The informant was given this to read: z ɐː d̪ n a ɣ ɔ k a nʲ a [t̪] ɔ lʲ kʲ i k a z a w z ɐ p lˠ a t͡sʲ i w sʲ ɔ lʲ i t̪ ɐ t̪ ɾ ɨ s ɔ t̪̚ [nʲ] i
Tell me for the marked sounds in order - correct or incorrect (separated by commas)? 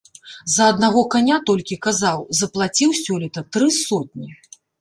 correct, correct